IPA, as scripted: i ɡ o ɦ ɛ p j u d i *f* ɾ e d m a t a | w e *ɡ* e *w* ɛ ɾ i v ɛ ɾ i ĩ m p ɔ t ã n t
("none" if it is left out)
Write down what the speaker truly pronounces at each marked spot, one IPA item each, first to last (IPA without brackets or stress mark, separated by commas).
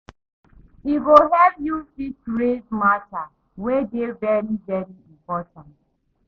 s, d, v